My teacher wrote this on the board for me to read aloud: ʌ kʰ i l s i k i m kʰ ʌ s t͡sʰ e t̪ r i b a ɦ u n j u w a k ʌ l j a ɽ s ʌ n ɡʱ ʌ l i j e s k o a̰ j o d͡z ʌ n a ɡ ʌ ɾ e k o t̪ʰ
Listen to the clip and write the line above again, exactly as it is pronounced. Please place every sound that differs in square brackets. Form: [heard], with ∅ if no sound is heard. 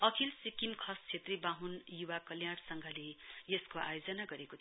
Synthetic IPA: ʌ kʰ i l s i k i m kʰ ʌ s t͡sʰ e t̪ r i b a ɦ u n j u w a k ʌ l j a ɽ s ʌ [ŋ] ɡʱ ʌ l [e] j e s k o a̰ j o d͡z ʌ n a ɡ ʌ ɾ e k o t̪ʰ